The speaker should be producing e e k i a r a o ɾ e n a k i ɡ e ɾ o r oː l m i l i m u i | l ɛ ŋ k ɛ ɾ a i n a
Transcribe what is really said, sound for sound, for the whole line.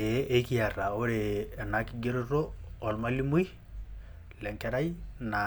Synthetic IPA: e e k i a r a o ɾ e n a k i ɡ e ɾ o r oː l m a l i m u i | l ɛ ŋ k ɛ ɾ a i n a